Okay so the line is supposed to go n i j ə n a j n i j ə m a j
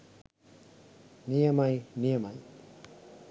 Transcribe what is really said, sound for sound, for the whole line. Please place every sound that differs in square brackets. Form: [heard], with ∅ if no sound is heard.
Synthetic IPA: n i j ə [m] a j n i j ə m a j